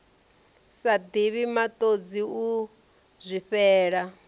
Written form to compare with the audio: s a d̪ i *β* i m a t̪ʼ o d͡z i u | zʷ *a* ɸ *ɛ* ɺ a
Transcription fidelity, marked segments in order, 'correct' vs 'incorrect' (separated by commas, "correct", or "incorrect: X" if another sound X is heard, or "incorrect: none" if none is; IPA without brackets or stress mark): correct, incorrect: i, incorrect: ɛː